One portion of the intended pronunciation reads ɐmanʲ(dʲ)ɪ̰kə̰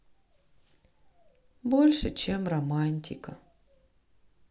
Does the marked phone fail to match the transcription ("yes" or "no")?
yes